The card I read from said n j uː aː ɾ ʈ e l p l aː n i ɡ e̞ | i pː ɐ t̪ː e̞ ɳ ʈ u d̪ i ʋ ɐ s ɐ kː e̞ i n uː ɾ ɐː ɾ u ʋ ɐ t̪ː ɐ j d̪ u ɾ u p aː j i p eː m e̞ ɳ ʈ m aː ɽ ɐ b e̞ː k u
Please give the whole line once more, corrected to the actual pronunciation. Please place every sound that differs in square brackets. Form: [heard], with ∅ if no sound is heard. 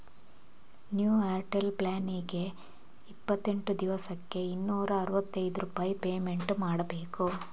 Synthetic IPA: n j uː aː ɾ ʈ e l p l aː n i ɡ e̞ | i pː ɐ t̪ː e̞ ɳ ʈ u d̪ i ʋ ɐ s ɐ kː e̞ i [nː] uː ɾ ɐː ɾ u ʋ ɐ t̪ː ɐ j d̪ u ɾ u p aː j i p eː m e̞ ɳ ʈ m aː ɽ ɐ b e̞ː k u